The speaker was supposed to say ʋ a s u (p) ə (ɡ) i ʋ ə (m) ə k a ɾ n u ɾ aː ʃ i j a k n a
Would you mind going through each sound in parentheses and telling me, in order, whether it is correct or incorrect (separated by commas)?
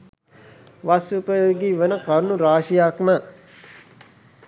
correct, correct, incorrect